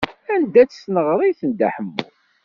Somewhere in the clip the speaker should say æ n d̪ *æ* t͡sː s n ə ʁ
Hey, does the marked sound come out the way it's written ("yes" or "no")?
yes